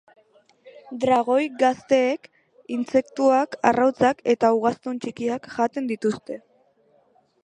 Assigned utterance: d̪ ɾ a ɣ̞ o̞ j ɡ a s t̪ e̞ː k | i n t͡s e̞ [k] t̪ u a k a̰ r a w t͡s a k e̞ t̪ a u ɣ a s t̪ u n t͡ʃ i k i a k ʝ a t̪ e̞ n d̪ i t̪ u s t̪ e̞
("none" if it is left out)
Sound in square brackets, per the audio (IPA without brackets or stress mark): k